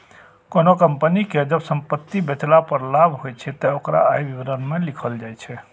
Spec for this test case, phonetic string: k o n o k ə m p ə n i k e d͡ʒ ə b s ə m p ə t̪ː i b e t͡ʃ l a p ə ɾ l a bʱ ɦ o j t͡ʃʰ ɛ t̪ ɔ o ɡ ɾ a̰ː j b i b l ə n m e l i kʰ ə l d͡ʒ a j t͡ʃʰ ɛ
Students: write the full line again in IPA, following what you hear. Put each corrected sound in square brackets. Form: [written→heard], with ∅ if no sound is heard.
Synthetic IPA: k o n o k ə m p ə n i k e d͡ʒ ə b s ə m p ə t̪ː i b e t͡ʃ l a p ə ɾ l a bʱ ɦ o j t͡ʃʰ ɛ t̪ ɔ o [ɡ→k] ɾ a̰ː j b i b [l→ɾ] ə n m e l i kʰ ə l d͡ʒ a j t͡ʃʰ ɛ